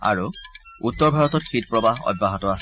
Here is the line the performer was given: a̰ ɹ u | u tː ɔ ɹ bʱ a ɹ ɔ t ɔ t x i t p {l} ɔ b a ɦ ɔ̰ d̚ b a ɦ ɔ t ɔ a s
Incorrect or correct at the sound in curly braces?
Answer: incorrect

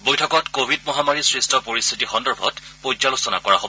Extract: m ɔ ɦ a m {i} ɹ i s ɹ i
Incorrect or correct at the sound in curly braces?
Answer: incorrect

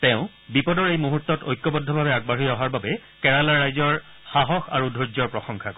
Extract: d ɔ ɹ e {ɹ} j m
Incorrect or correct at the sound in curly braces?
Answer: incorrect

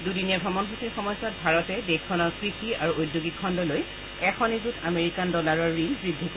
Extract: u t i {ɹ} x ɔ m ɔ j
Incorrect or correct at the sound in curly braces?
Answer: correct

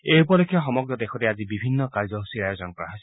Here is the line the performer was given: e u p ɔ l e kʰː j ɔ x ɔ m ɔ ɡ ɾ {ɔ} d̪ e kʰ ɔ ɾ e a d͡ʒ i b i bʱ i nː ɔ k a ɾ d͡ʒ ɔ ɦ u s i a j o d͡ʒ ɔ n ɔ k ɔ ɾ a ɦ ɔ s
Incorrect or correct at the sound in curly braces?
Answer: correct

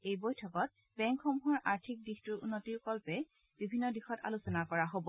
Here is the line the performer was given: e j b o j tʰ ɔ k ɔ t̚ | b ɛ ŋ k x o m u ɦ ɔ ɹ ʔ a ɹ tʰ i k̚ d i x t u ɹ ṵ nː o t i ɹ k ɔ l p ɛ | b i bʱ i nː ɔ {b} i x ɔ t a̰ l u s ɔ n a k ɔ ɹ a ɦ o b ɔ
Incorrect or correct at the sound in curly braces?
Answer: incorrect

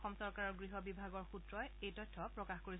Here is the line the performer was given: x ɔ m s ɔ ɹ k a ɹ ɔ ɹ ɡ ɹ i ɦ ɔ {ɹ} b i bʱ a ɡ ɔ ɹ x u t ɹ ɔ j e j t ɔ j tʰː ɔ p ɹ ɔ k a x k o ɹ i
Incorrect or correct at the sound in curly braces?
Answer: incorrect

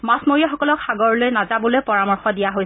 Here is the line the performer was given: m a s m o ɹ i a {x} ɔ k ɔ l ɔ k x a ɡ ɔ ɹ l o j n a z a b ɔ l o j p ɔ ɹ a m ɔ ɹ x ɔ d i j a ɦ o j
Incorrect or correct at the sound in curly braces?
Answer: correct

